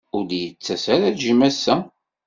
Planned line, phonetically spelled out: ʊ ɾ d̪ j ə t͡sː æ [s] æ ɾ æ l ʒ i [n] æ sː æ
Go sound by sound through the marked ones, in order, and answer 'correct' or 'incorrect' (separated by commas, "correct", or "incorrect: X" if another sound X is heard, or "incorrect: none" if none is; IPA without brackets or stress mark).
correct, incorrect: m